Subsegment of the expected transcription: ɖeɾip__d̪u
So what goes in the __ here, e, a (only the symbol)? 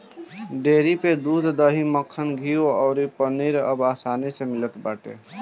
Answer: e